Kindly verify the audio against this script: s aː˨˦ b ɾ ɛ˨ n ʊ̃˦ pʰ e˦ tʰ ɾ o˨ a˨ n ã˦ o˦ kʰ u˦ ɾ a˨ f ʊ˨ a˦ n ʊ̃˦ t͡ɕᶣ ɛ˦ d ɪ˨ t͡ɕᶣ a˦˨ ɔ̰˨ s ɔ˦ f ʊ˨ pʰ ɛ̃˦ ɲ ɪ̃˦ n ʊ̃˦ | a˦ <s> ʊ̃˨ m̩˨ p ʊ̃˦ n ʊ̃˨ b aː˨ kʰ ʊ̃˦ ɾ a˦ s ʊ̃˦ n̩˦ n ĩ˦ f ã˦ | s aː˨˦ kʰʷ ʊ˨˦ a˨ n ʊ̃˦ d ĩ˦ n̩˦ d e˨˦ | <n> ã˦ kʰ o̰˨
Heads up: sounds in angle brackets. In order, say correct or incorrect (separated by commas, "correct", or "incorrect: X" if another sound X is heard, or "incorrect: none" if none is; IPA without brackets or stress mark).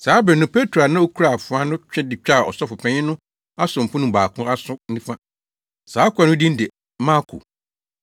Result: correct, incorrect: m